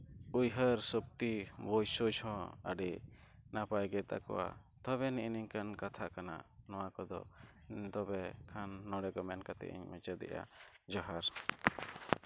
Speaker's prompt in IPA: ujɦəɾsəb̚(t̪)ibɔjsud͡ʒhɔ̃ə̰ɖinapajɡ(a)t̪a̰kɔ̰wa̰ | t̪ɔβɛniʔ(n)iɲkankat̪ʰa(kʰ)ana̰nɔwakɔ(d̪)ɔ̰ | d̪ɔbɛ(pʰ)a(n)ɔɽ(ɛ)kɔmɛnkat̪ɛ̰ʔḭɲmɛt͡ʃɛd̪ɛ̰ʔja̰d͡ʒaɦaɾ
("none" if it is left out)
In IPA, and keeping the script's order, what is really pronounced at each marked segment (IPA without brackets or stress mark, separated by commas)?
t̪, ɛ, n, k, d̪, kʰ, nː, ɛ